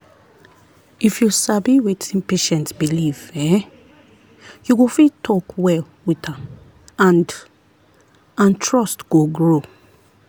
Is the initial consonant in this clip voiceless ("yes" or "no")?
yes